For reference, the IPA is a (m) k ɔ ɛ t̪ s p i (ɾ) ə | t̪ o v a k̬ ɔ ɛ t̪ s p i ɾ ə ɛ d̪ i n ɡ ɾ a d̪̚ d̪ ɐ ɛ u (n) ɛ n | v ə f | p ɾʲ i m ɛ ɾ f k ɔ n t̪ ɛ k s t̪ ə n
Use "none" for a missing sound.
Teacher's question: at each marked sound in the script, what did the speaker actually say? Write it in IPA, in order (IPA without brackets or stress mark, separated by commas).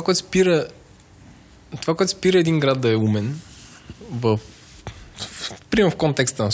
none, ɾ, m